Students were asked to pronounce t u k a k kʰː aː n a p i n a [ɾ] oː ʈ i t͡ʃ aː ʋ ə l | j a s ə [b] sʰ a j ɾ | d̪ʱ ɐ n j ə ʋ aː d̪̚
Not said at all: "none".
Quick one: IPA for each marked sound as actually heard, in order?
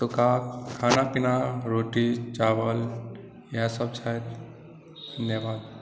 ɾ, b

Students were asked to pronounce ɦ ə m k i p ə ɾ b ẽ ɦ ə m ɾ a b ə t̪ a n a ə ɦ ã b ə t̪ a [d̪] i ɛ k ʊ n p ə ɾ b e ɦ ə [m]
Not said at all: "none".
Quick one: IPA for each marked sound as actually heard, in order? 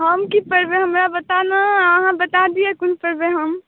d̪, m

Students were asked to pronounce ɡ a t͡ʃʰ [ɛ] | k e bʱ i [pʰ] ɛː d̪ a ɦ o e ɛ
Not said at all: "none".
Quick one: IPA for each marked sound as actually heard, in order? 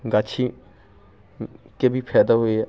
i, pʰ

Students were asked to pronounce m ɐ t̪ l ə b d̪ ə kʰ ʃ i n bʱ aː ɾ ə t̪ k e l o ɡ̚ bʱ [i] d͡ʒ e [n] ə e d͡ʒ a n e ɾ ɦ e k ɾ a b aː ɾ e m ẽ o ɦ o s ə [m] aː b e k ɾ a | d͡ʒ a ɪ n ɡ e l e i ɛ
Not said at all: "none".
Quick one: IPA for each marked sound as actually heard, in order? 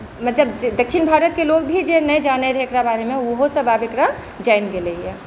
i, n, b

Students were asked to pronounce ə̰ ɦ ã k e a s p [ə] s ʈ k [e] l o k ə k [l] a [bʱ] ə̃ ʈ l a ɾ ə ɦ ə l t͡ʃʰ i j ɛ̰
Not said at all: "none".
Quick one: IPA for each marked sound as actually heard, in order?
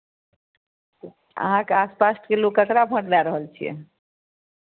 a, e, ɾ, bʱ

